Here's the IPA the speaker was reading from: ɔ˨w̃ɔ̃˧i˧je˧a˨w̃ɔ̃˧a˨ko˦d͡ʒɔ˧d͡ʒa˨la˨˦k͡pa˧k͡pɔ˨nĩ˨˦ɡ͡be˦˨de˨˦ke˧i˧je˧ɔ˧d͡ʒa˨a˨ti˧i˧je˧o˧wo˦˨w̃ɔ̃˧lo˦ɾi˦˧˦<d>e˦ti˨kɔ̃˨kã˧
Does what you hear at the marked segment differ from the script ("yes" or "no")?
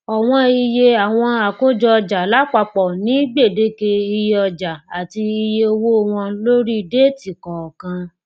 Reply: no